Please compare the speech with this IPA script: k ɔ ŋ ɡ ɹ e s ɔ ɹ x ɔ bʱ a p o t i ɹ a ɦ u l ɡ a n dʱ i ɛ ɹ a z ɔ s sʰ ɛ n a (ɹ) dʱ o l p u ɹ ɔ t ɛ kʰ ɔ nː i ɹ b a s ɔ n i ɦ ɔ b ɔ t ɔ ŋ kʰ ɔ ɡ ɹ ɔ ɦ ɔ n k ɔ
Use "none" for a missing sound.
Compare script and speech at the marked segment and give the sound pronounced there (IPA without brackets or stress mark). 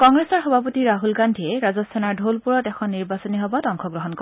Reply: ɹ